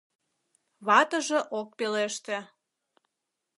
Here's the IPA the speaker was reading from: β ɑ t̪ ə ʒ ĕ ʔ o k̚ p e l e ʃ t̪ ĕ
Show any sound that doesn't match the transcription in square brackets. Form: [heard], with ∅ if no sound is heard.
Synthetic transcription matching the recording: β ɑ t̪ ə ʒ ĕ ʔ o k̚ p e l e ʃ t̪ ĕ